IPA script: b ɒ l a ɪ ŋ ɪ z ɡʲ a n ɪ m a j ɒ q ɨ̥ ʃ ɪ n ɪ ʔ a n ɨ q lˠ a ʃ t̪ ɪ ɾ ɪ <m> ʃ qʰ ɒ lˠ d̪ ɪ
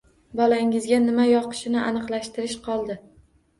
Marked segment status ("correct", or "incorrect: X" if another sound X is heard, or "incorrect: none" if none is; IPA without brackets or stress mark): incorrect: none